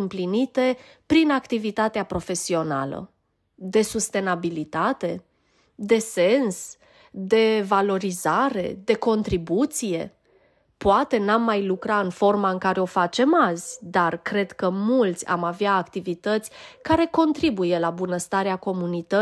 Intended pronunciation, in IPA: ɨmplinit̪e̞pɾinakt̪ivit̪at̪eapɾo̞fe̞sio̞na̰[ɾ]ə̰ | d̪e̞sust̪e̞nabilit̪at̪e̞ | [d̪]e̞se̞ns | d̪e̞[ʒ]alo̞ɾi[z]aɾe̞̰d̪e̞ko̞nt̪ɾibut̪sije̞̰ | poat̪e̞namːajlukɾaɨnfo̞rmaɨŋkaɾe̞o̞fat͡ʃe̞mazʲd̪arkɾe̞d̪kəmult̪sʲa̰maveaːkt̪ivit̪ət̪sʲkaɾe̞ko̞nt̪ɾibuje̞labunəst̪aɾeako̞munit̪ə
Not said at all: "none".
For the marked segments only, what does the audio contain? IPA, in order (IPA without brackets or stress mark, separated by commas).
l, d̪, v, z